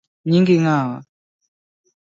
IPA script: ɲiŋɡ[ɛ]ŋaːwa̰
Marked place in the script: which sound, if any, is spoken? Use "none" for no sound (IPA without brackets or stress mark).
i